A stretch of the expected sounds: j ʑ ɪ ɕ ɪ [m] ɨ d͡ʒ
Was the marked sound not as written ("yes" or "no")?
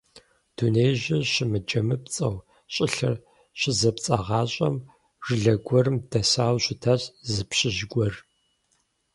no